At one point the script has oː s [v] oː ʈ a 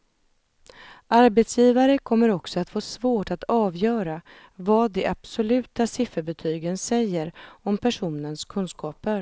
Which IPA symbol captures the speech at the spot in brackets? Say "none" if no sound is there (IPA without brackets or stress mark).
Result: v